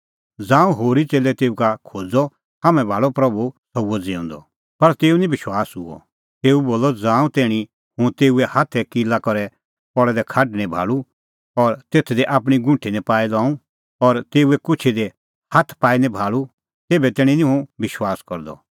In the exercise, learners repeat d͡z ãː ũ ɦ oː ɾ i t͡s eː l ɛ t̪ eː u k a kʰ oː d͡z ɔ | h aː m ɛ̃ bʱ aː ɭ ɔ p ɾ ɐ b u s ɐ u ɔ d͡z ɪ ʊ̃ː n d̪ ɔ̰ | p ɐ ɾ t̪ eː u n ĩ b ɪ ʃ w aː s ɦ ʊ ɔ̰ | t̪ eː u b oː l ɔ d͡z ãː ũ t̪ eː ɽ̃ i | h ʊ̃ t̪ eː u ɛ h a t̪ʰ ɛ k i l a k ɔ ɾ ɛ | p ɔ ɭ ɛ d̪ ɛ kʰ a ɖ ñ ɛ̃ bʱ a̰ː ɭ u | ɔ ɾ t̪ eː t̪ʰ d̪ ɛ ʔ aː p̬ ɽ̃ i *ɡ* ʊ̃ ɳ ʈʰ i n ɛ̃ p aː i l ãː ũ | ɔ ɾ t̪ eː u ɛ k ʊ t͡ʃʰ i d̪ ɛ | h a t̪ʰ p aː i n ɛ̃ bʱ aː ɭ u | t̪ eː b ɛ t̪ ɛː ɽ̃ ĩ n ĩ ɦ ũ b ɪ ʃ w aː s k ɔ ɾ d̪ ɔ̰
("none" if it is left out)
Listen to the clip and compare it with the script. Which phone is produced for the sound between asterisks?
ɡ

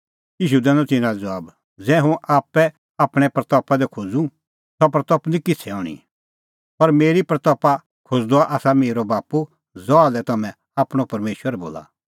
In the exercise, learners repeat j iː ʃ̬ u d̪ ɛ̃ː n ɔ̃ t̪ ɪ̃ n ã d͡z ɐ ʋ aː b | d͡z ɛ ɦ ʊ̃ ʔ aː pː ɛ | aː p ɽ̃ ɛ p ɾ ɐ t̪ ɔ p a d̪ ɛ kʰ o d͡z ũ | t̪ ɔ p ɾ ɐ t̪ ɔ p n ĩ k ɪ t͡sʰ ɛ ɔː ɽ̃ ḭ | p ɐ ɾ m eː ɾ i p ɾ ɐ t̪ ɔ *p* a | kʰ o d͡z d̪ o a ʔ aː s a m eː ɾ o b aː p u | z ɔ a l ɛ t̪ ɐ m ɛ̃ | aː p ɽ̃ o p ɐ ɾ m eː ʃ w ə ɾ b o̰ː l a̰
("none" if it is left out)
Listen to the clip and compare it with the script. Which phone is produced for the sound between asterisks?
p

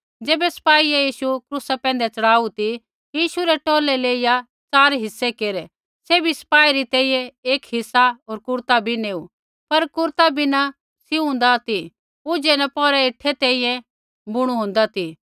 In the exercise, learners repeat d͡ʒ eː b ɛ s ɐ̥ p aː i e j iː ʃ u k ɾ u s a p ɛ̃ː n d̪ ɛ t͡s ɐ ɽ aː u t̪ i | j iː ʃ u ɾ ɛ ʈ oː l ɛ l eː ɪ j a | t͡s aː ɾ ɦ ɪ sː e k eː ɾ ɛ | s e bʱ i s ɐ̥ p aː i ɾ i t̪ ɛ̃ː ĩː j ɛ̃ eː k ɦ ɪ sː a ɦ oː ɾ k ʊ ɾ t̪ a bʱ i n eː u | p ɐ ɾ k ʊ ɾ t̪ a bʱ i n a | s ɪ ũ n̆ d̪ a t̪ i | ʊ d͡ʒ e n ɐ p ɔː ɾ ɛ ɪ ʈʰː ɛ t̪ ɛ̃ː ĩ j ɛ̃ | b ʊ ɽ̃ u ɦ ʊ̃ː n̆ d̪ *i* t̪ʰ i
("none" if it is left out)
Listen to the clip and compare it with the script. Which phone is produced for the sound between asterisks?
a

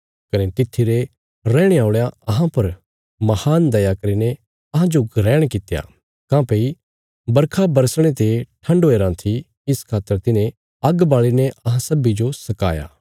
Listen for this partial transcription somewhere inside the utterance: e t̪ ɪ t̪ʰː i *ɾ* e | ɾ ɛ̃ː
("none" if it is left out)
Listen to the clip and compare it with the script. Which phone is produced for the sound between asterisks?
ɾ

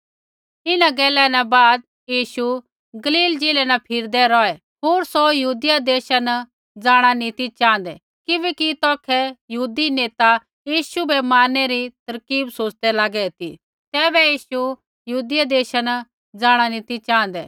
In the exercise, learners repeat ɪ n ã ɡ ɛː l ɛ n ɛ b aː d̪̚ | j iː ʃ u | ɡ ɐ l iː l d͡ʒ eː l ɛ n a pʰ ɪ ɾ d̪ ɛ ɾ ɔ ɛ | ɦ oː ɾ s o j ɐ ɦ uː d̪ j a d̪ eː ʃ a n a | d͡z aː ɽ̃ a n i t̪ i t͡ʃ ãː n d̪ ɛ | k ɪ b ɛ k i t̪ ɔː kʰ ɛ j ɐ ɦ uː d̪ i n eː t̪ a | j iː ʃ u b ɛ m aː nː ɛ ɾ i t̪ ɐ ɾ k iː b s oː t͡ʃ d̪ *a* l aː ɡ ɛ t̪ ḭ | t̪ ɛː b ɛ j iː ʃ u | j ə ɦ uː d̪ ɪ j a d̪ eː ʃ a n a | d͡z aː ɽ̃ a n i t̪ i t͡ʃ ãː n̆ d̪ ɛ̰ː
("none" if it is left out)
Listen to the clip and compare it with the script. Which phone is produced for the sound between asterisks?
ɛ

